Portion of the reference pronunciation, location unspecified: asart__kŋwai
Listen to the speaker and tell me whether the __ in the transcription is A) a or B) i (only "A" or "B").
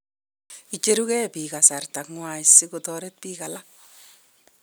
A